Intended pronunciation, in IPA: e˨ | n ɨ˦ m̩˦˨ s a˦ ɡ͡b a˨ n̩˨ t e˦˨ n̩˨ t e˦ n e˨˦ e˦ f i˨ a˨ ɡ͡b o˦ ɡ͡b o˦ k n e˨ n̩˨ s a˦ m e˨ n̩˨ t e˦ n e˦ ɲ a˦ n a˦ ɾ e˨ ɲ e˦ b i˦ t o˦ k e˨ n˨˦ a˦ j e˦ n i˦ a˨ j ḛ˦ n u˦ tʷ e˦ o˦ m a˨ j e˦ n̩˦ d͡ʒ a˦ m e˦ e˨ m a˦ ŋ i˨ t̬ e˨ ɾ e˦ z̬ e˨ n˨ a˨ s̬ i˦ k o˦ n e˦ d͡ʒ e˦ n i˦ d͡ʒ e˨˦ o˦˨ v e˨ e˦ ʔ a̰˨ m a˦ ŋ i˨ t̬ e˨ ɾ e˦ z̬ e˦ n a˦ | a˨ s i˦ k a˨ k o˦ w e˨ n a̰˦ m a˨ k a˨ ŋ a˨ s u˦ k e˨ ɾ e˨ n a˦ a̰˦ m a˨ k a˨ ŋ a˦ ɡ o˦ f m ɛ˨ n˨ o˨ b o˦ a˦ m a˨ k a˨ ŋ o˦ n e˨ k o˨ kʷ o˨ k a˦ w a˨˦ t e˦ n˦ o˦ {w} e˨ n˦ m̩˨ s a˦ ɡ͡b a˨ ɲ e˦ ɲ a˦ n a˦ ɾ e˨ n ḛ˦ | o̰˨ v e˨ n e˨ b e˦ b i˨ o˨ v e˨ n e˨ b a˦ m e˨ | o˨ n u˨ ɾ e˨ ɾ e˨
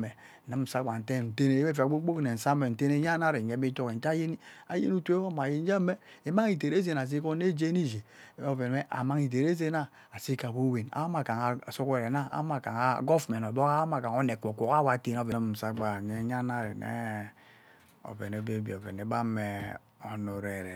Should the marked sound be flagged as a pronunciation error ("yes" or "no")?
yes